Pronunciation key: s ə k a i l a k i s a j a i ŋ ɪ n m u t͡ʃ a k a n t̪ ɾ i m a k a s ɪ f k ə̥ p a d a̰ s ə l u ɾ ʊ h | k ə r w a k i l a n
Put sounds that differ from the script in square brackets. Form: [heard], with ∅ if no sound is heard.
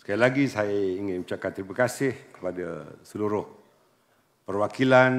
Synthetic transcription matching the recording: s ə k a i l a [ɡ] i s a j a i ŋ ɪ n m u t͡ʃ a k a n t̪ ɾ i m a k a s ɪ [h] k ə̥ p a d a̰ s ə l u ɾ ʊ h | [p] ə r w a k i l a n